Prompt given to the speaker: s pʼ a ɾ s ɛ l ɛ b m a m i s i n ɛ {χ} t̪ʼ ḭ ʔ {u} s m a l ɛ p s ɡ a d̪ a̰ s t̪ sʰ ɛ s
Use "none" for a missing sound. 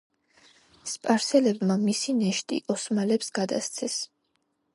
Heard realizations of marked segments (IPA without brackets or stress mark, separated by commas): ʃ, ɔ